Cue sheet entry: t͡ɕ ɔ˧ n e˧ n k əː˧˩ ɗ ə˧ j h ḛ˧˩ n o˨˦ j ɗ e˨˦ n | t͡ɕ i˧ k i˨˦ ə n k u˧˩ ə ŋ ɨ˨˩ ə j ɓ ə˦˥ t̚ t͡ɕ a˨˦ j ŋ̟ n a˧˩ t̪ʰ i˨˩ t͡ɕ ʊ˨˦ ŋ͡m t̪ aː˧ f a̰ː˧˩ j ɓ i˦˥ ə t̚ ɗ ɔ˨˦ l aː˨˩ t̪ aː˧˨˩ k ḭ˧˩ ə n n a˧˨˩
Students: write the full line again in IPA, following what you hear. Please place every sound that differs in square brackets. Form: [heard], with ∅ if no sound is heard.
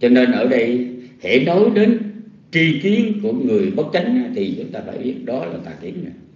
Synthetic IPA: t͡ɕ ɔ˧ n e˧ n [ʔ] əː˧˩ ɗ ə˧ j h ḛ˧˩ n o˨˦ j ɗ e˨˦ n | t͡ɕ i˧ k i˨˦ ə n k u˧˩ ə ŋ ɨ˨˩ ə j ɓ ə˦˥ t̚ t͡ɕ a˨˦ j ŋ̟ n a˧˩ t̪ʰ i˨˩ t͡ɕ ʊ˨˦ ŋ͡m t̪ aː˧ f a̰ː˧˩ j ɓ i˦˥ ə t̚ ɗ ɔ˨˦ l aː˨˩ t̪ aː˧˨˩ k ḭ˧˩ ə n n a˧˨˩

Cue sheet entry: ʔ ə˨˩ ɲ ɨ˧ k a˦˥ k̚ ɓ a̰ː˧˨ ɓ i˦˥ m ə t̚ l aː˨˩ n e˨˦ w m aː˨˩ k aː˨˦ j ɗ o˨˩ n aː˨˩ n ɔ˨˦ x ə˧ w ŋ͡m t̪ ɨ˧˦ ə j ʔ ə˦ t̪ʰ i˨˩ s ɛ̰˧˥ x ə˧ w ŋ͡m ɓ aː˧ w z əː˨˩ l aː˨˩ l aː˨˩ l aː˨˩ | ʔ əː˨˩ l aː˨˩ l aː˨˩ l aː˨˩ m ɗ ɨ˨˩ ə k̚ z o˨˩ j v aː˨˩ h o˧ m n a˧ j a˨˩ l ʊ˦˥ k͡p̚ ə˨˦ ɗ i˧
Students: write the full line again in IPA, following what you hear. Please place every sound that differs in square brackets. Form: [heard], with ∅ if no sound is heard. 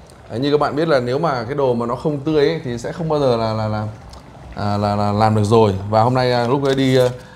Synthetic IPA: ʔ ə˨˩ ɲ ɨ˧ k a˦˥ k̚ ɓ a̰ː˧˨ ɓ i˦˥ [∅] ə t̚ l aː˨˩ n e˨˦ w m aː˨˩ k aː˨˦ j ɗ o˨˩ [m] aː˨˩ n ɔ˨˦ x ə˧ w ŋ͡m t̪ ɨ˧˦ ə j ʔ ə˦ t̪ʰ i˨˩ s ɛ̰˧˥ x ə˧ w ŋ͡m ɓ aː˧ w z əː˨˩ l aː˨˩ l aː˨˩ l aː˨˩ | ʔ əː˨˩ l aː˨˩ l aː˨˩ l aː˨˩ m ɗ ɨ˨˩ ə k̚ z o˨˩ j v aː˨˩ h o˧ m n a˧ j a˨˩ l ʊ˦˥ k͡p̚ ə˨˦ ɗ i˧

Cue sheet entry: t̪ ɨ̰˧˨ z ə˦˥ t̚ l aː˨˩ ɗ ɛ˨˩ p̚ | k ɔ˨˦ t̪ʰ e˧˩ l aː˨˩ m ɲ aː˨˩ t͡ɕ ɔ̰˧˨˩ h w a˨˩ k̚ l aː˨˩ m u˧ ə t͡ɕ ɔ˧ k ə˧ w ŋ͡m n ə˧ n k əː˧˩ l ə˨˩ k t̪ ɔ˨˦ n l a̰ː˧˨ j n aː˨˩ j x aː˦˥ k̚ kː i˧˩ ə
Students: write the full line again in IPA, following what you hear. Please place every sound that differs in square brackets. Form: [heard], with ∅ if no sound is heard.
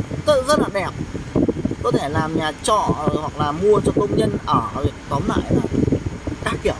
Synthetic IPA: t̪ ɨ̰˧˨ z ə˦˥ t̚ l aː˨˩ ɗ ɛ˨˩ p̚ | k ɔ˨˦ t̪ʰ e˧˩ l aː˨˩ m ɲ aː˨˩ t͡ɕ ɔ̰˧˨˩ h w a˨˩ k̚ l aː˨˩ m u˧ ə t͡ɕ ɔ˧ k ə˧ w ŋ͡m [ɲ] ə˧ n [ʔ] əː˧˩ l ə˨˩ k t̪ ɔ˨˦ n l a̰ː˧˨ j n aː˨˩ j [k] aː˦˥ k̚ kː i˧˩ ə

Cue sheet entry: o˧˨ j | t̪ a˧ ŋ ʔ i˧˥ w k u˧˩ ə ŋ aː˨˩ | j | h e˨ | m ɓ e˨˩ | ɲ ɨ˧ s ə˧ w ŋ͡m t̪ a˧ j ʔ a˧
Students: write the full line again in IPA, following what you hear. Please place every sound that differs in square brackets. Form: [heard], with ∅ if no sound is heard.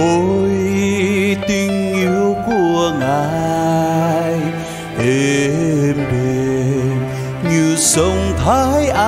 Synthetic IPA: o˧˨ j | t̪ [i˧] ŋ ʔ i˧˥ w k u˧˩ ə ŋ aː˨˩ | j | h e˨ | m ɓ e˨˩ | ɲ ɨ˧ s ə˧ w ŋ͡m [t̪ʰ] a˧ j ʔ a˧

